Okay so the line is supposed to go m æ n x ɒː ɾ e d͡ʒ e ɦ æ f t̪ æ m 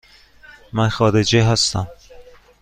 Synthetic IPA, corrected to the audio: m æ n x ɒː ɾ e d͡ʒ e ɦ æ s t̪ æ m